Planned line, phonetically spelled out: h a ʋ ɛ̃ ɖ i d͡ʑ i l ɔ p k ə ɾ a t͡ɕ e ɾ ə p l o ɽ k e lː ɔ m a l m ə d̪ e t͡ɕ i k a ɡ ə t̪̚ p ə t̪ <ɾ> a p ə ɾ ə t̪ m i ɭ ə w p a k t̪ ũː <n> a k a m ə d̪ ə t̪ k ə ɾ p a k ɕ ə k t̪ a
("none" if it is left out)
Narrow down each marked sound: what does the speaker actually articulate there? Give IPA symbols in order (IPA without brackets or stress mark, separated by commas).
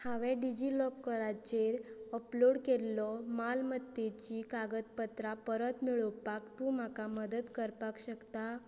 ɾ, m